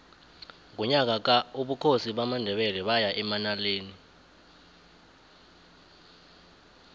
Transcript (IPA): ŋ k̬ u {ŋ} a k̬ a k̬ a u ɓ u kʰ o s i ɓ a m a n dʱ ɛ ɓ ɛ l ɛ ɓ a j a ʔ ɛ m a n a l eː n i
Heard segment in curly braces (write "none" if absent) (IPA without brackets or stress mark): ɲ